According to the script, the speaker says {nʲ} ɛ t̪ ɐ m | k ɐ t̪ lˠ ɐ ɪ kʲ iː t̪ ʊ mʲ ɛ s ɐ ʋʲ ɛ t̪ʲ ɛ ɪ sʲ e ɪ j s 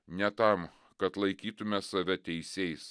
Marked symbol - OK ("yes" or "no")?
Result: yes